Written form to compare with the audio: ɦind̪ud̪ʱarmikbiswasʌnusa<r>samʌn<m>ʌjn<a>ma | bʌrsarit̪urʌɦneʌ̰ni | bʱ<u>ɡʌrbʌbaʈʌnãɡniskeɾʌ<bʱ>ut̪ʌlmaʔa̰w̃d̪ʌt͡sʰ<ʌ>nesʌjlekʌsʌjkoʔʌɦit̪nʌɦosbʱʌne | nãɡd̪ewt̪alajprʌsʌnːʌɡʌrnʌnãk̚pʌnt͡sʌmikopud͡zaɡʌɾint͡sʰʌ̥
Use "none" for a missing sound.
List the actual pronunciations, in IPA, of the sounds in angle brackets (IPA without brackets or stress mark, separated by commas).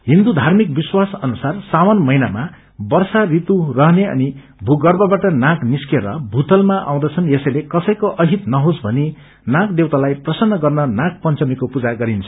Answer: r, m, a, u, bʱ, ʌ